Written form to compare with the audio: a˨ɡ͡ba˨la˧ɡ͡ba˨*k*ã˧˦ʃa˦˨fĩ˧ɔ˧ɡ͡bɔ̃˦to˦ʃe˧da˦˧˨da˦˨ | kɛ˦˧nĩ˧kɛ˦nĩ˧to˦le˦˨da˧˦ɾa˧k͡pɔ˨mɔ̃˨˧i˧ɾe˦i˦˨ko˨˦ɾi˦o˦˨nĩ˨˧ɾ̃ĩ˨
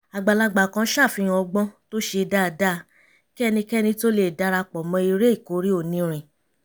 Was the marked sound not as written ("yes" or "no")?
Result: no